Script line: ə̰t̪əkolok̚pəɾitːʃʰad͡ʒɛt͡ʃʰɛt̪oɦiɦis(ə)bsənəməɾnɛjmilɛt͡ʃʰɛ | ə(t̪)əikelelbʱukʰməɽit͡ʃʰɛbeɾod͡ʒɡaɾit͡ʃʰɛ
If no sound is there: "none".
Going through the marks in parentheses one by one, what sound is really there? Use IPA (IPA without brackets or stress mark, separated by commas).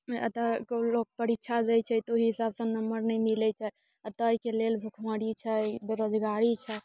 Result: a, t̪